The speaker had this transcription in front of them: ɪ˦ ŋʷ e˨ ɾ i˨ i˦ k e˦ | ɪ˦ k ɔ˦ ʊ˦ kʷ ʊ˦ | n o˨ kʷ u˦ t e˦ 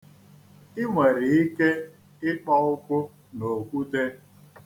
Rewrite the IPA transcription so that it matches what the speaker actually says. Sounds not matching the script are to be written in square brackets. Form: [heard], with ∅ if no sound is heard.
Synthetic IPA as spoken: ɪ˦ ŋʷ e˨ ɾ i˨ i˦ k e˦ | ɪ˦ [k͡p] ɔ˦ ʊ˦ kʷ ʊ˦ | n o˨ kʷ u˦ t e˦

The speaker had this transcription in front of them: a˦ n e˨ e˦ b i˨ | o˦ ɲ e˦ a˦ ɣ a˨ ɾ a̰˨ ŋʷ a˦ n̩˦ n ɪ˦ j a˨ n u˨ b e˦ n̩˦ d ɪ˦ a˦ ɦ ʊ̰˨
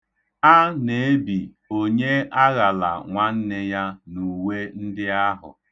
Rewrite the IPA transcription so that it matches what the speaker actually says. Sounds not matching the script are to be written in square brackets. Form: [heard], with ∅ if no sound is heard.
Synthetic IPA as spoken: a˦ n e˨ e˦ b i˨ | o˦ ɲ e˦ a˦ ɣ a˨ [l] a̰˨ ŋʷ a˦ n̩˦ n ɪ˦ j [a˦] n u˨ [w] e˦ n̩˦ d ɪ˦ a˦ ɦ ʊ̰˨

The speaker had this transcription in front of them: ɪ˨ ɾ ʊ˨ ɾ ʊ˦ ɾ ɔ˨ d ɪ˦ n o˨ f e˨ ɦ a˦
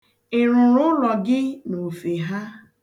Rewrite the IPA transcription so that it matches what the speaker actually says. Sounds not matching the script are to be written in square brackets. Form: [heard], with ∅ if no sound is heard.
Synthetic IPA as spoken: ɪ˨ ɾ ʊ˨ ɾ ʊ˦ [l] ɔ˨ [ɡ] ɪ˦ n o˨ f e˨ ɦ a˦

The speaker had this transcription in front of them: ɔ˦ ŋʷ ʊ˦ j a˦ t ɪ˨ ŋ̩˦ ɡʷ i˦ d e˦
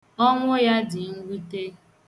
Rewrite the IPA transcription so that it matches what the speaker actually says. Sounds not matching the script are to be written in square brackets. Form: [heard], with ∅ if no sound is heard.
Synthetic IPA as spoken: ɔ˦ ŋʷ ʊ˦ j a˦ [d] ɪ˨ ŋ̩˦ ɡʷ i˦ [t] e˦

